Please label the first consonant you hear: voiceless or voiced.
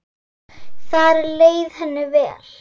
voiceless